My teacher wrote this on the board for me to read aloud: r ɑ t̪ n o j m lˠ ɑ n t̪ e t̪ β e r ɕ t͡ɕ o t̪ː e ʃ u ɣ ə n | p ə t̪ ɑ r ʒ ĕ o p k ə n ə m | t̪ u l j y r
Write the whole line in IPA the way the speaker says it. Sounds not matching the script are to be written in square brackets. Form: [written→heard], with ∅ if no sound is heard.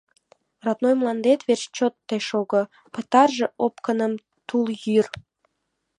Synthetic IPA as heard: r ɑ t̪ n o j m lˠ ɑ n [t̪→d̪] e t̪ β e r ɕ t͡ɕ o t̪ː e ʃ [u→o] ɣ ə [n→∅] | p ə t̪ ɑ r ʒ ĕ o p k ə n ə m | t̪ u l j y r